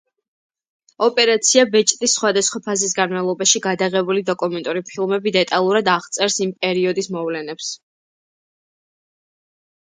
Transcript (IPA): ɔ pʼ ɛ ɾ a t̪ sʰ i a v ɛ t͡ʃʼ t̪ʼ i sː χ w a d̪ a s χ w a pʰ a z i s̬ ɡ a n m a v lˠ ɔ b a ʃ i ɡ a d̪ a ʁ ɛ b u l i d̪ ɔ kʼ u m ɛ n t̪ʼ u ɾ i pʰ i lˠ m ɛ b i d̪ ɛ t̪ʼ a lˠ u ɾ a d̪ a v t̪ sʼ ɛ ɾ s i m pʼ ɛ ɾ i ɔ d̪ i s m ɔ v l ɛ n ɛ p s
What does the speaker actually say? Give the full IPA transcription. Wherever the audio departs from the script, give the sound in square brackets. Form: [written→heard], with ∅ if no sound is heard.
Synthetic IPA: ɔ pʼ ɛ ɾ a t̪ sʰ i a [v→b] ɛ t͡ʃʼ t̪ʼ i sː χ w a d̪ a s χ w a pʰ a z i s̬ ɡ a n m a v lˠ ɔ b a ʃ i ɡ a d̪ a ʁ ɛ b u l i d̪ ɔ kʼ u m ɛ n t̪ʼ u ɾ i pʰ i lˠ m ɛ b i d̪ ɛ t̪ʼ a lˠ u ɾ a d̪ a [v→ʁ] t̪ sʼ ɛ ɾ s i m pʼ ɛ ɾ i ɔ d̪ i s m ɔ v l ɛ n ɛ p s